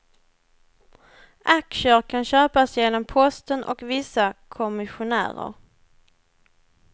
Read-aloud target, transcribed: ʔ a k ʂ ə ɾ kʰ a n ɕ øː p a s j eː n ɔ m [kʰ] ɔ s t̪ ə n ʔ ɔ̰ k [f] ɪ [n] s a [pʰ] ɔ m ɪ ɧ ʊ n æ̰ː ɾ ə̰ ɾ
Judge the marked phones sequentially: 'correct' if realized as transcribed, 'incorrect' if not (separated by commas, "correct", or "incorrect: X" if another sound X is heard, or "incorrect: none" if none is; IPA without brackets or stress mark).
incorrect: pʰ, incorrect: v, incorrect: none, incorrect: kʰ